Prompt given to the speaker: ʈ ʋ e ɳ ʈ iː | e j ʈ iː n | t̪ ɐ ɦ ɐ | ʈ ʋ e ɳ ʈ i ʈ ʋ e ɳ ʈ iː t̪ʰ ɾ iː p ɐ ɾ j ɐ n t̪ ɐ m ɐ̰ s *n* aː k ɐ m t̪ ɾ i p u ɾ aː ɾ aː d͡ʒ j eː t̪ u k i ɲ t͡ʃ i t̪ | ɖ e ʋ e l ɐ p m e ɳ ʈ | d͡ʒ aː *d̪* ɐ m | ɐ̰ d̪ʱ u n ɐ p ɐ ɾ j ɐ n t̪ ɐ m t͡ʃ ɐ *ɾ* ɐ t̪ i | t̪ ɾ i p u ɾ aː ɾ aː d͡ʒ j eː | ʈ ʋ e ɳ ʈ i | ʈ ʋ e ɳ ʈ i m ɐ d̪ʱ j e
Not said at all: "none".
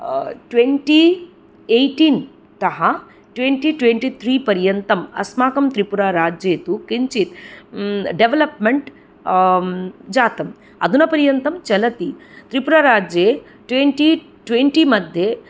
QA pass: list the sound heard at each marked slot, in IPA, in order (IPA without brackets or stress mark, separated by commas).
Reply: m, t̪, l